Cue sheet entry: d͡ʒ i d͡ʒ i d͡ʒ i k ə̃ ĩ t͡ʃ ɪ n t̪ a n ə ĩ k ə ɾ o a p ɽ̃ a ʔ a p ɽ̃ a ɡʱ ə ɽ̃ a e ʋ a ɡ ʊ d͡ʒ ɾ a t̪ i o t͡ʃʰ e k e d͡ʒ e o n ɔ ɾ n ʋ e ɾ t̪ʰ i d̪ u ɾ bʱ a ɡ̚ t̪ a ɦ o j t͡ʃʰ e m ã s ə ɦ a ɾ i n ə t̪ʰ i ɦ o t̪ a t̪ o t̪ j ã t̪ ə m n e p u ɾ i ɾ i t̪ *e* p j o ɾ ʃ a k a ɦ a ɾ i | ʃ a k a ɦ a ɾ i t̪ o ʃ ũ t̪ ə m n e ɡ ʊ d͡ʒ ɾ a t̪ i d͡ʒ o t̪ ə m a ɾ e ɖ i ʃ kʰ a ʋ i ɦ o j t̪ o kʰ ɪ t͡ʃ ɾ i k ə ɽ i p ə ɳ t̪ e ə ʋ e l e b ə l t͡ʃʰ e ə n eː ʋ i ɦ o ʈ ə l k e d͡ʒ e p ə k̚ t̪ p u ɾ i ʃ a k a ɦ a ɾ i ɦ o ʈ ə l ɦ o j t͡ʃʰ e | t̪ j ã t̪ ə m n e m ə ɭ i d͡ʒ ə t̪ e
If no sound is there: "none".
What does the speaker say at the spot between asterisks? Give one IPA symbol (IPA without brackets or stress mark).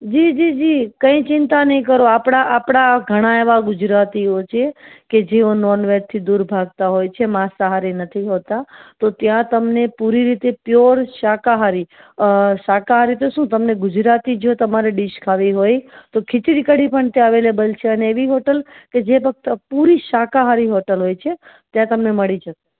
e